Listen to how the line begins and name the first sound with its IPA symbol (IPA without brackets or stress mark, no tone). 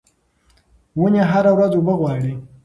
w